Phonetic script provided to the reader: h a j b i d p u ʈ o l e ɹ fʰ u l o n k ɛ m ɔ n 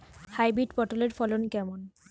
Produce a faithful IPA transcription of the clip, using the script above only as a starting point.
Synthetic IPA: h a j b i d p ɔ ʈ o l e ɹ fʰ ɔ l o n k ɛ m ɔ n